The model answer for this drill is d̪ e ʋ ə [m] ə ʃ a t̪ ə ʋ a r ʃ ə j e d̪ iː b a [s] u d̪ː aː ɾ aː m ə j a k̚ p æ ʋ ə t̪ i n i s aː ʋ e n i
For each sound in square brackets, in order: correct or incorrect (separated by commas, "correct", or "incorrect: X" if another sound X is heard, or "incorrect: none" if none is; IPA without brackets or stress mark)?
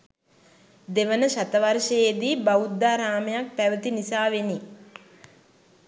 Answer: incorrect: n, incorrect: none